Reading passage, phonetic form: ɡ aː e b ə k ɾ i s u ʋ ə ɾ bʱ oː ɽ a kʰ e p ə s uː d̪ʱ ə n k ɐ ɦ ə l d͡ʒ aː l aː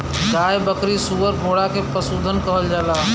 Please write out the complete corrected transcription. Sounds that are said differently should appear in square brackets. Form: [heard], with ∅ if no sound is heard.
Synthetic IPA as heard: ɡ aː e b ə k ɾ i s u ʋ ə ɾ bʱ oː ɽ a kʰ e p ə s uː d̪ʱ ə n k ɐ ɦ ə l d͡ʒ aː l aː